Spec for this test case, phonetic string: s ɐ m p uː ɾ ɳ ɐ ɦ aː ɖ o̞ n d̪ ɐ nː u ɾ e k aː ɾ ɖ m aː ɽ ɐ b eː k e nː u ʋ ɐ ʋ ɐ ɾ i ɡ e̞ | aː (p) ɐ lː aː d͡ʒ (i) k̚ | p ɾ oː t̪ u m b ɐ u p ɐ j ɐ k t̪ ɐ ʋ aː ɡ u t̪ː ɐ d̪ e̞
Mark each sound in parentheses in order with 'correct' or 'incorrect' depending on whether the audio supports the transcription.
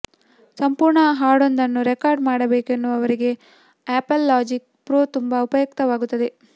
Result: correct, correct

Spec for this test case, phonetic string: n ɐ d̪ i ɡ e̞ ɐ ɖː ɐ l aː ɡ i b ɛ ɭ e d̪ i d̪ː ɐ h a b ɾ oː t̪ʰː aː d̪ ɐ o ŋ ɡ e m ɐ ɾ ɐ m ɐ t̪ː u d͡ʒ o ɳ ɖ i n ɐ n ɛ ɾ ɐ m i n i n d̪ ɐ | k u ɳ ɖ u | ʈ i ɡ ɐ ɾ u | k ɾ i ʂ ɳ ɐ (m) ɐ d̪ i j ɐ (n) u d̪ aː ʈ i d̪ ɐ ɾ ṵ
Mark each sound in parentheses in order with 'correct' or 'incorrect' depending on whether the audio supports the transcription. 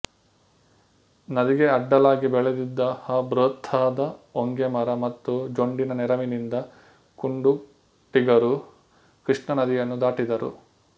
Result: incorrect, incorrect

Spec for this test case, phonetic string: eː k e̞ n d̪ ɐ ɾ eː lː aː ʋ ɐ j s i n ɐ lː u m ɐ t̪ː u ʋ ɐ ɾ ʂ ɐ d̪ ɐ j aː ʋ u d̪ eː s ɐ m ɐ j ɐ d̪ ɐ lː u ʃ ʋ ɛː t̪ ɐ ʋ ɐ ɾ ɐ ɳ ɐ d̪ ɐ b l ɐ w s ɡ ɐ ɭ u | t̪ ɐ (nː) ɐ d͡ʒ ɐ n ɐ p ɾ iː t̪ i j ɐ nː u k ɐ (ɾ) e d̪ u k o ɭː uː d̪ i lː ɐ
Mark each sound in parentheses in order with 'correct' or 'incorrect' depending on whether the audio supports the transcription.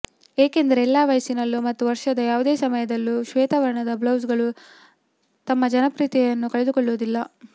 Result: incorrect, incorrect

